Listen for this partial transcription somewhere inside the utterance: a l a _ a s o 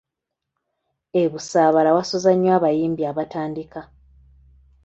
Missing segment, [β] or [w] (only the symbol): w